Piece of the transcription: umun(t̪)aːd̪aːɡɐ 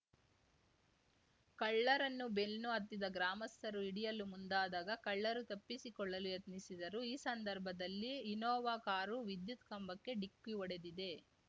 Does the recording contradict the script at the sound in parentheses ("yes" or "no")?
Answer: yes